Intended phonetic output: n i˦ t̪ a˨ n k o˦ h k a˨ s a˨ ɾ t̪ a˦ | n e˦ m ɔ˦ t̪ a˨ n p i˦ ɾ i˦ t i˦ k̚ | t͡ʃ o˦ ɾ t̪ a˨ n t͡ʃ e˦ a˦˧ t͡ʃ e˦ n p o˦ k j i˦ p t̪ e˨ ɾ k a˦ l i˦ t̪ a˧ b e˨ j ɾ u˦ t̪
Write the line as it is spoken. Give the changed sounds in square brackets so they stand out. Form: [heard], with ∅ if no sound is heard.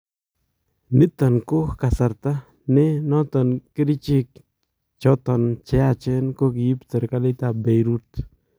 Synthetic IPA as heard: n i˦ t̪ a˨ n k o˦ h k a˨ s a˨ ɾ t̪ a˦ | n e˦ [n] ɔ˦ t̪ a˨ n [k] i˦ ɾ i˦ [t͡ʃ] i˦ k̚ | t͡ʃ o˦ [∅] t̪ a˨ n t͡ʃ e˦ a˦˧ t͡ʃ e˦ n [k] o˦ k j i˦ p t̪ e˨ ɾ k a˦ l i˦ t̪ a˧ b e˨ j ɾ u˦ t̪